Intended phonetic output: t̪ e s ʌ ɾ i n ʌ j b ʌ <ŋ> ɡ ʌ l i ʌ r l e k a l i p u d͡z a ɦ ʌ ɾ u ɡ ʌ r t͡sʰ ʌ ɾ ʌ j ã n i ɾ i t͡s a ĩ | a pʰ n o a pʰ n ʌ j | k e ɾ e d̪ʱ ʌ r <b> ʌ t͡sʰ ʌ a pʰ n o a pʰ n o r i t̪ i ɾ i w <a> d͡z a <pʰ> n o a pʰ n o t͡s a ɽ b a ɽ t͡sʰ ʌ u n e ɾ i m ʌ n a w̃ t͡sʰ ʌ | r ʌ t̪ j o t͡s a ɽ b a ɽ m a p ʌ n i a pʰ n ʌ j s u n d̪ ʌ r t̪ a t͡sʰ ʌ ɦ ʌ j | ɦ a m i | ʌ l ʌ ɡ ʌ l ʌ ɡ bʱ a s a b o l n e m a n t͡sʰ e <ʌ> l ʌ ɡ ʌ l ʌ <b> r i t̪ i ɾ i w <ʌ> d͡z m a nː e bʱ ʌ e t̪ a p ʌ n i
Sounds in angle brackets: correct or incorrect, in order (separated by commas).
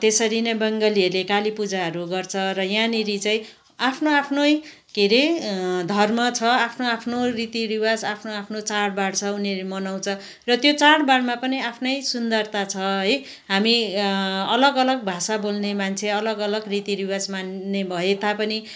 correct, incorrect, correct, correct, correct, incorrect, incorrect